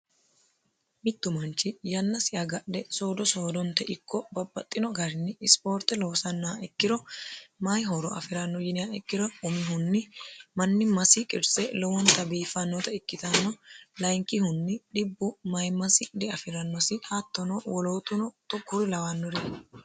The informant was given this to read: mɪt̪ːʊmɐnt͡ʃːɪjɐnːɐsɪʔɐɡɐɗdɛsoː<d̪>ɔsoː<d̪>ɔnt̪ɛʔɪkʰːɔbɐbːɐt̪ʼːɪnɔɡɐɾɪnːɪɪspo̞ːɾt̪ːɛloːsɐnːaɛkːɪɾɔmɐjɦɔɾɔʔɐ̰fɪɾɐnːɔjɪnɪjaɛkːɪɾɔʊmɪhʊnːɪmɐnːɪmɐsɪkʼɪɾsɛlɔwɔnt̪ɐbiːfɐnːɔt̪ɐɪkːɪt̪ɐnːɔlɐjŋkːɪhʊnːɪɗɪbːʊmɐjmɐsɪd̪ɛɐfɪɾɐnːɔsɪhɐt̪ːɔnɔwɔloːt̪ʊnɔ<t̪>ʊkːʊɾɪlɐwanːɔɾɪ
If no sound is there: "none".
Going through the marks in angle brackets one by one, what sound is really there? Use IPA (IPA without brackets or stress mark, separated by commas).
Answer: d̪, d̪, t̪